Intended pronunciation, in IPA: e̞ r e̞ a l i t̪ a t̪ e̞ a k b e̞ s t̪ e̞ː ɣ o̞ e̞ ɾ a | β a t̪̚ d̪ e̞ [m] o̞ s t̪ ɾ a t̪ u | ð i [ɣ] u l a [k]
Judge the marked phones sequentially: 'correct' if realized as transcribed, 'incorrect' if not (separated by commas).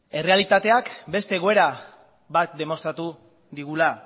correct, correct, incorrect